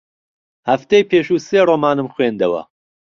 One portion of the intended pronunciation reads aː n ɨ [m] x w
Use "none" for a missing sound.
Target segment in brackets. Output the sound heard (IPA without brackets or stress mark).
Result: m